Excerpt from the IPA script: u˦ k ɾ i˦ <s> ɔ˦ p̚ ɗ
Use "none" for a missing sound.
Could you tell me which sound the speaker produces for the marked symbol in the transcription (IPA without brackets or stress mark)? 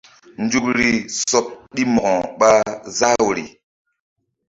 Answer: s